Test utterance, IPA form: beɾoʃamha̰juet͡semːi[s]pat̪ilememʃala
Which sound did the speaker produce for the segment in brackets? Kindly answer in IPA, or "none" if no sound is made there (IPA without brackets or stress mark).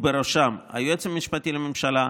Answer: ʃ